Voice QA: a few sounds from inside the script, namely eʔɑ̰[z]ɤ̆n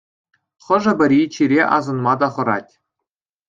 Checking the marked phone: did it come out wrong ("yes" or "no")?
no